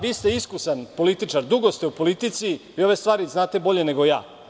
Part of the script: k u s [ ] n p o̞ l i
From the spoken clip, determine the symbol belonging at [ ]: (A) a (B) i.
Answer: A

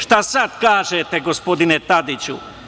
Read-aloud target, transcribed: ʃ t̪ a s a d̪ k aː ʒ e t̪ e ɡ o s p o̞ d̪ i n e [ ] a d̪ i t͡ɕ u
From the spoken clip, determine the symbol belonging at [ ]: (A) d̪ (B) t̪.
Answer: B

